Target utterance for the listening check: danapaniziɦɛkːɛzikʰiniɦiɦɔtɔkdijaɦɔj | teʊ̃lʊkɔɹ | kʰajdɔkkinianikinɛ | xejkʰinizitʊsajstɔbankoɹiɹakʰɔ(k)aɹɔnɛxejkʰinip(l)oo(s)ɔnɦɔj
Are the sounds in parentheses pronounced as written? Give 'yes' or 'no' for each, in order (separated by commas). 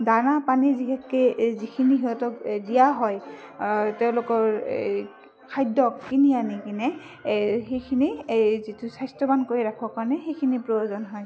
yes, no, no